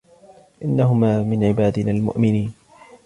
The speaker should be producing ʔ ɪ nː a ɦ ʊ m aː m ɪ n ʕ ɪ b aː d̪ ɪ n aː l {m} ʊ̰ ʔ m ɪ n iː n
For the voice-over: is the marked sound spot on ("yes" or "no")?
yes